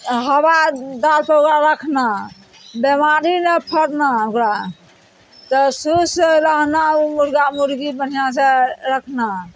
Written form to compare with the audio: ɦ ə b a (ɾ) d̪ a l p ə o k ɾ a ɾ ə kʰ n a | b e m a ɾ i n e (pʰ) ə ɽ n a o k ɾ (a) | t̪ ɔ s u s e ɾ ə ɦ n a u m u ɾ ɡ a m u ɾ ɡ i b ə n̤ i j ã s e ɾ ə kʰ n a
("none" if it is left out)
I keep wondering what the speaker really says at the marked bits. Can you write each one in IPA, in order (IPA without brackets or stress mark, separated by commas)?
none, pʰ, a